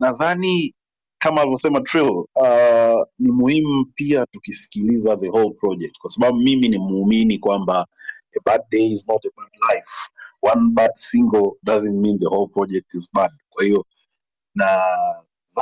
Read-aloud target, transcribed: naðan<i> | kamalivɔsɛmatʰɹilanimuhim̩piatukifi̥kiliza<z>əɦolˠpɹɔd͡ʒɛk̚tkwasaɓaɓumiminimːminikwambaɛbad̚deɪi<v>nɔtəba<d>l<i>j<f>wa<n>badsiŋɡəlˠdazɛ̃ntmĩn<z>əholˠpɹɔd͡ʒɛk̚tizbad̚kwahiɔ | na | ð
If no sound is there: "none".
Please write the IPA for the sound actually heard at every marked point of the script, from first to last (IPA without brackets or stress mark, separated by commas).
i, ð, z, d, a, f, n, ð